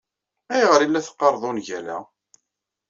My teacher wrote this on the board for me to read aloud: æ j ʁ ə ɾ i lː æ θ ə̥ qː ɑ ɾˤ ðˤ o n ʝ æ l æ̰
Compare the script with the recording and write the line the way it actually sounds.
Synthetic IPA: æ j ʁ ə ɾ i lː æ θ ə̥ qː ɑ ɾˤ ðˤ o n ʝ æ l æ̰